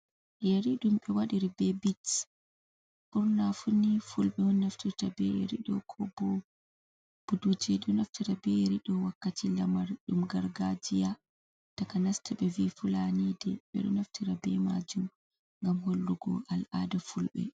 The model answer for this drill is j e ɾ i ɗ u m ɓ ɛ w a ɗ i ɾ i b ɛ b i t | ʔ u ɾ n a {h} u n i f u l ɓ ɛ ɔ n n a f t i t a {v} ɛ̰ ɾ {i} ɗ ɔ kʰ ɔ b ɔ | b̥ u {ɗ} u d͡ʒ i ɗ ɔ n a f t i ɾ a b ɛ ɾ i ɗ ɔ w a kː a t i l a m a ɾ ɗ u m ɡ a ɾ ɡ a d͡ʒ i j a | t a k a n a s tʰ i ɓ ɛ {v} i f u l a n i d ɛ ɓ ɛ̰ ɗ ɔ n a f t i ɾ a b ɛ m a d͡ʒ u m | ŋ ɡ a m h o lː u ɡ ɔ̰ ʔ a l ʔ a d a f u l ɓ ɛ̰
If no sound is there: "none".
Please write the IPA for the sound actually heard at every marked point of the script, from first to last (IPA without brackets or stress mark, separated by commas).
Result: f, b, i, d, v